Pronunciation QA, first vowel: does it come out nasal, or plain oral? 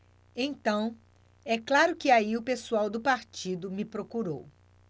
nasal